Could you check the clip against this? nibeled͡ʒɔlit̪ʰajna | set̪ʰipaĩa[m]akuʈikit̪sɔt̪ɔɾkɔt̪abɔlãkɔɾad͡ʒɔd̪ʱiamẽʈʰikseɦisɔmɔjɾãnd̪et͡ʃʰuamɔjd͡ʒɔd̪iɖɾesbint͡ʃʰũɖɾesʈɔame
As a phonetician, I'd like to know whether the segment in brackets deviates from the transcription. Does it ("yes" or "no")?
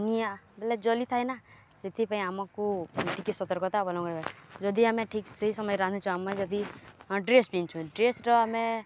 no